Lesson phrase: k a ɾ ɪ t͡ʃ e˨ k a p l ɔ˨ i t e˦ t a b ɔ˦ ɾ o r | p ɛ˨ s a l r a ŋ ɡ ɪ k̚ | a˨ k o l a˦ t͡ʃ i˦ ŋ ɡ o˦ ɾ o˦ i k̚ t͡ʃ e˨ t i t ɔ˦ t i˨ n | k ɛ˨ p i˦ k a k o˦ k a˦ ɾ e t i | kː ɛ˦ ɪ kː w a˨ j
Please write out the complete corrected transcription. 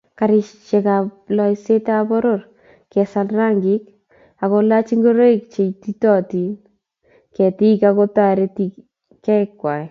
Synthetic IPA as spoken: k a ɾ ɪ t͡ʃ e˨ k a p l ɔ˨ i s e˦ t a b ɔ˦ ɾ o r | k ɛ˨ s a l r a ŋ ɡ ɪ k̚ | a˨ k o l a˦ t͡ʃ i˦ ŋ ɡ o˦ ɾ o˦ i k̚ t͡ʃ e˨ t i t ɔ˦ t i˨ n | k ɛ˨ t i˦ k a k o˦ t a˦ ɾ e t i | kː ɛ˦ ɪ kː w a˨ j